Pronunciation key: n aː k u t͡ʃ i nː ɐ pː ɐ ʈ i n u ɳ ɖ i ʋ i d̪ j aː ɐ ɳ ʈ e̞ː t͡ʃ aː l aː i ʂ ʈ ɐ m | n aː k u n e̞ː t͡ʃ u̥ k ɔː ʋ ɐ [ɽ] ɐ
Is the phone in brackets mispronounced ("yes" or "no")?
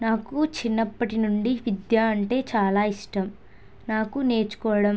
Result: no